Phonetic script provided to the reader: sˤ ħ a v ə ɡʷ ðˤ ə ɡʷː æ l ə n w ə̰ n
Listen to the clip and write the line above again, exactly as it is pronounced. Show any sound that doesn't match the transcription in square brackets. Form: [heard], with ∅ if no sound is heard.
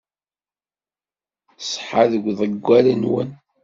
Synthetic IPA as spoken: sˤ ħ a [ð] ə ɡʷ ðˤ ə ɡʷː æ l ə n w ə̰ n